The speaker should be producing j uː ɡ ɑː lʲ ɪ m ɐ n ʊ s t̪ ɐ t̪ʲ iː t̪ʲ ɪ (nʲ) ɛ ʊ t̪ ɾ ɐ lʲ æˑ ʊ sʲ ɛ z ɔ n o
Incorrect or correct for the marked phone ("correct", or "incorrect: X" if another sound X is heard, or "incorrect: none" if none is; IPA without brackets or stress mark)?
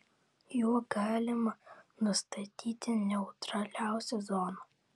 correct